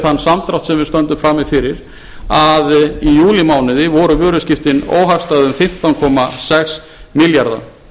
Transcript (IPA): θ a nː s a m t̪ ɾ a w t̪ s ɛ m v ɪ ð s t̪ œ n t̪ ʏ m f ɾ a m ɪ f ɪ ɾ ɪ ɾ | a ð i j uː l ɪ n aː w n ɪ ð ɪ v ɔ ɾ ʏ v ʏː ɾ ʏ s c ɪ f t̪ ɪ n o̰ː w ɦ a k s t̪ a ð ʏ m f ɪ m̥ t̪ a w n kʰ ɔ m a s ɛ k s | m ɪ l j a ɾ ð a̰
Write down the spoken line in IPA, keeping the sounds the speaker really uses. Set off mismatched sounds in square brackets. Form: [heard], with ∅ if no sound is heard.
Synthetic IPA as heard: θ a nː s a m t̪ ɾ a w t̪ s ɛ m v ɪ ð s t̪ œ n t̪ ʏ m f ɾ a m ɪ f ɪ ɾ ɪ ɾ | a ð i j uː l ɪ [m] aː w n ɪ ð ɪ v ɔ ɾ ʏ v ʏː ɾ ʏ s c ɪ f t̪ ɪ n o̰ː w ɦ a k s t̪ a ð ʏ m f ɪ m̥ t̪ a w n kʰ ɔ m a s ɛ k s | m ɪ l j a ɾ ð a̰